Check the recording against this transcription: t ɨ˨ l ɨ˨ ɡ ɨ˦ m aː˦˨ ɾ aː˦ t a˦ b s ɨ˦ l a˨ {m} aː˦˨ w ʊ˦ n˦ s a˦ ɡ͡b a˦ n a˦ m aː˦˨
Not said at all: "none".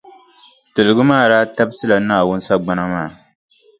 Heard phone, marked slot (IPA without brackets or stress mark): n